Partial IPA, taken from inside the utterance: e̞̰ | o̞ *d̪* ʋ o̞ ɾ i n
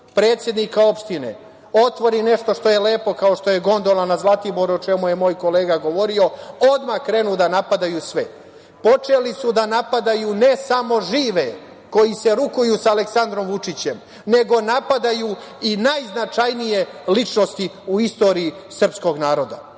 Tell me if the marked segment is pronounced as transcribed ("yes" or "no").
no